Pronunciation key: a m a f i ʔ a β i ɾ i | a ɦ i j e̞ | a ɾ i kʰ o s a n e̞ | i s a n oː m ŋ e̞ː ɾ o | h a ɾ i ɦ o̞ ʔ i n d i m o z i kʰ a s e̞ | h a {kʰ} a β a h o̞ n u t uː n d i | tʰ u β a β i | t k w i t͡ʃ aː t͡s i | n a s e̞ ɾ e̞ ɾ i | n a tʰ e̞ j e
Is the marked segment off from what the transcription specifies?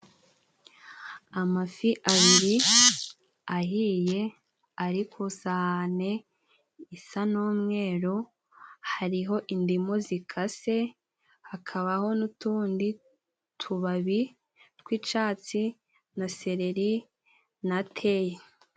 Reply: no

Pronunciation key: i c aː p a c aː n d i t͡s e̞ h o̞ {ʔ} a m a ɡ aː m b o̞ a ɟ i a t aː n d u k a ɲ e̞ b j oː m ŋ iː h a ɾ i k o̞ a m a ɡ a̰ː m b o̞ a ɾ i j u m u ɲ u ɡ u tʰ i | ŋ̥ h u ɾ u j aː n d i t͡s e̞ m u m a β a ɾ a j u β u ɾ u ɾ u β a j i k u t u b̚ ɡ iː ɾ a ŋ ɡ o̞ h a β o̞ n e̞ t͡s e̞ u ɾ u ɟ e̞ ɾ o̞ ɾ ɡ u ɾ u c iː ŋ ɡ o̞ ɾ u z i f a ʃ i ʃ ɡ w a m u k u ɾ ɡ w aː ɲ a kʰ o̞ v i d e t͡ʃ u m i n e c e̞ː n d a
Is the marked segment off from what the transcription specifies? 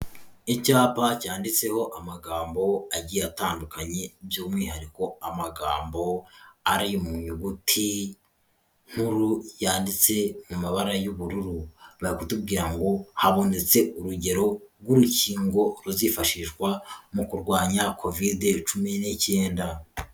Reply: no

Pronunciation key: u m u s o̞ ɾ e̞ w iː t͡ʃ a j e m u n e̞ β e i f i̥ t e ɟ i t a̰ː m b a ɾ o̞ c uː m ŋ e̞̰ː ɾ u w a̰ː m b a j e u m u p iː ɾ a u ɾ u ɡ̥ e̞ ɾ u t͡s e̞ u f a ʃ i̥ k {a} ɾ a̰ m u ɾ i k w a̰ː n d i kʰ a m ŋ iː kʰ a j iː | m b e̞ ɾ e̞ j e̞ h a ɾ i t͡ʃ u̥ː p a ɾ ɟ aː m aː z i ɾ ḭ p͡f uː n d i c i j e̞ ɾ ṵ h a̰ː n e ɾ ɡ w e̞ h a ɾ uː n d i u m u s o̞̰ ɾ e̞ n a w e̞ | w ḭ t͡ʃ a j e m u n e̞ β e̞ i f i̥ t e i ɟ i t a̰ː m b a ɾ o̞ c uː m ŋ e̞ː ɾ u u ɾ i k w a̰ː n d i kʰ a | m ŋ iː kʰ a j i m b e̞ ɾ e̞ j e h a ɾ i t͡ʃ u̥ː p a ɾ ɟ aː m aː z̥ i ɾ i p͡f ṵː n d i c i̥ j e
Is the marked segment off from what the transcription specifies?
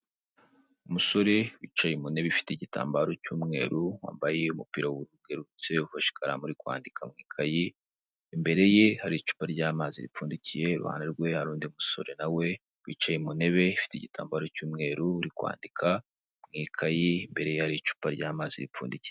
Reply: no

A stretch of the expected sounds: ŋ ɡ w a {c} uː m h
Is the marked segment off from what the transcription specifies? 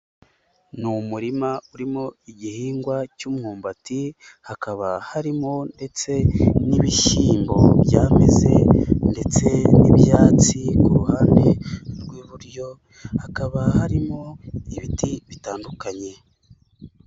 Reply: no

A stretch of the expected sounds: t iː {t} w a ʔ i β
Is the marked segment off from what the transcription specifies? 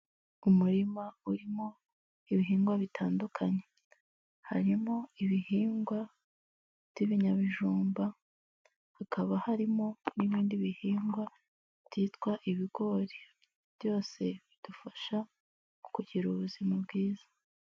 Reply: no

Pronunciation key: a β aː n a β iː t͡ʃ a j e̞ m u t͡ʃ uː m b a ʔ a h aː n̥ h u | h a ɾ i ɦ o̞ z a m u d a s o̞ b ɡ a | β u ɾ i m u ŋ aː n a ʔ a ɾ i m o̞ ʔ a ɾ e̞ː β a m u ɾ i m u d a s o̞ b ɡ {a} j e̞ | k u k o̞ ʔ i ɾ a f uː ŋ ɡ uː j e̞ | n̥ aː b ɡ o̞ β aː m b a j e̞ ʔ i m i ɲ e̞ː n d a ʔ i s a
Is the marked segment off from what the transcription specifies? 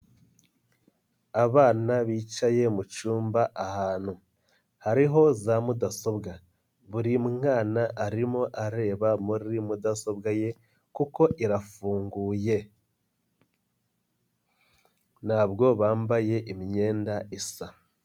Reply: no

